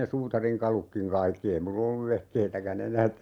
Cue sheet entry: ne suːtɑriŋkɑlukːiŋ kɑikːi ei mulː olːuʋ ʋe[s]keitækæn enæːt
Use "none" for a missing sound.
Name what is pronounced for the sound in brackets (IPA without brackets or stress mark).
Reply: h